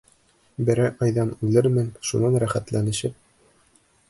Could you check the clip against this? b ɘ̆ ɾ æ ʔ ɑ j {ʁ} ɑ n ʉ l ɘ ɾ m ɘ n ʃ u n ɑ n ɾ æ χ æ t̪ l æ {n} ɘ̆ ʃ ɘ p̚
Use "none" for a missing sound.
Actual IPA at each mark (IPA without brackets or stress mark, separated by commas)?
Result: ð, n